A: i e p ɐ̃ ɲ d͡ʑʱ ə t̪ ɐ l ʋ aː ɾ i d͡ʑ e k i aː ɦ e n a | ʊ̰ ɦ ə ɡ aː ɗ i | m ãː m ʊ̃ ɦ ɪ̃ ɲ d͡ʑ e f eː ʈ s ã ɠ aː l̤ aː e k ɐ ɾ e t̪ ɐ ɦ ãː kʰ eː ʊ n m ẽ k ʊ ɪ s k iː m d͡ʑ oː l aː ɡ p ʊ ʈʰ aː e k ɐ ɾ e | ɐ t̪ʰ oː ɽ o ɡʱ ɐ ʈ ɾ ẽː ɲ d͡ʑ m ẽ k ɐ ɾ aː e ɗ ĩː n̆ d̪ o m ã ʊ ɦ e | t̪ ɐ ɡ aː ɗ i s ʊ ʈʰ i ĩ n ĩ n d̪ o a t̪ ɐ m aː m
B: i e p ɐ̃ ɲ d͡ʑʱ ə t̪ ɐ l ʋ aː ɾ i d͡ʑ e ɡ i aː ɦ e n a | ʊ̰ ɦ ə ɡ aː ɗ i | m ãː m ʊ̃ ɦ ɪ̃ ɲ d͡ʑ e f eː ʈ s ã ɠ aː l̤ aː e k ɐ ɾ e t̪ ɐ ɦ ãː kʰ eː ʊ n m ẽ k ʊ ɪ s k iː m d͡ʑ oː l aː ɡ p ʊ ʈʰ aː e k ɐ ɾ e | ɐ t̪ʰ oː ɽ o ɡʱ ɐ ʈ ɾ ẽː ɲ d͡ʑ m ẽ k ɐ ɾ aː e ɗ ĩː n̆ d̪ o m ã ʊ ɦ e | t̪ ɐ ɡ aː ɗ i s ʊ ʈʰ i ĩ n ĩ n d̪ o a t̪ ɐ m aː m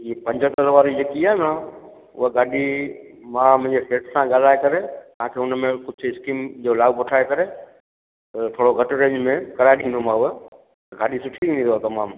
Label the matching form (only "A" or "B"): A